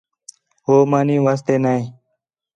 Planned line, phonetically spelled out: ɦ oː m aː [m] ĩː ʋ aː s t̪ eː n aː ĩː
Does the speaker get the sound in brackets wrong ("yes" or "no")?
yes